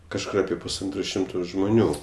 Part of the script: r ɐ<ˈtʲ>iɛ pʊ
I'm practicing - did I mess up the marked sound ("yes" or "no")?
yes